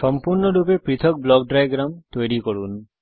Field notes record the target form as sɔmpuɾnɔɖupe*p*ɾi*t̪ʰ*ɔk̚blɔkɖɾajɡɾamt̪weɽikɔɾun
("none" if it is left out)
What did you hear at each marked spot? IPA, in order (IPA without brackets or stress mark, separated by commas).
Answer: p, t̪ʰ